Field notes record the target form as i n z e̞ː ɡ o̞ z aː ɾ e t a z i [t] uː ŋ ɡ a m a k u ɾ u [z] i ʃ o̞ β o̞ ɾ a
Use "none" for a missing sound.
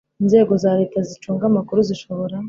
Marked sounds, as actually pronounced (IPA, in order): t͡ʃ, z

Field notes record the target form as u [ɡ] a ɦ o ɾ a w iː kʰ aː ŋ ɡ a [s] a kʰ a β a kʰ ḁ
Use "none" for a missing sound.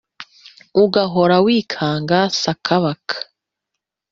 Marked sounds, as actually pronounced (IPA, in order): ɡ, s

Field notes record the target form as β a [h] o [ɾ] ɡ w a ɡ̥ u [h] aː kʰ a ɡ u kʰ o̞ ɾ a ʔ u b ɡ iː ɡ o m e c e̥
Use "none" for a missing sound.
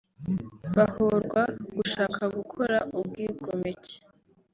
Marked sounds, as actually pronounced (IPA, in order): h, ɾ, ʃ

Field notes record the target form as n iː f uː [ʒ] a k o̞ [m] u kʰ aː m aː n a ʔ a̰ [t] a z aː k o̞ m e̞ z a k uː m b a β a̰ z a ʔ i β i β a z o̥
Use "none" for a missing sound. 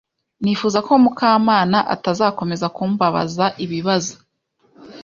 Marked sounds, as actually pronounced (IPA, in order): z, m, t

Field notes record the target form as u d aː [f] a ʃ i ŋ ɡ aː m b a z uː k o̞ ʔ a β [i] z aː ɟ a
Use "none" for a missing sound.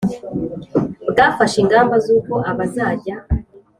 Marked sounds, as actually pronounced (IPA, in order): f, a

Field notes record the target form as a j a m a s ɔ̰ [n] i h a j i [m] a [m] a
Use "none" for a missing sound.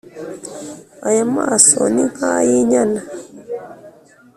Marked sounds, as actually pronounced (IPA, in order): n, ɲ, n

